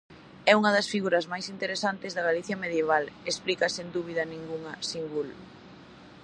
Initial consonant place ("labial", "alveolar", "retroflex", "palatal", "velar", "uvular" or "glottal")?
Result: velar